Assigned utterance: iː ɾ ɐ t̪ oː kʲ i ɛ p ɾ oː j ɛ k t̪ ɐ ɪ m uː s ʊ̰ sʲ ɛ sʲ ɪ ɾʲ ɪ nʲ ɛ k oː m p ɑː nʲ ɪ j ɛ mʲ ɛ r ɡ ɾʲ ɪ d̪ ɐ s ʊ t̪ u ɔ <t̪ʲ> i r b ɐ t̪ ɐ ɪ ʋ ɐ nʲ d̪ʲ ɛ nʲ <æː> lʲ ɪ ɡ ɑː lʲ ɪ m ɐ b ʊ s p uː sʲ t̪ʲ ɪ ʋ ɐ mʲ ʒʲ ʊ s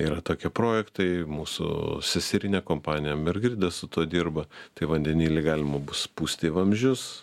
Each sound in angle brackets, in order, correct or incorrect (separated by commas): incorrect, incorrect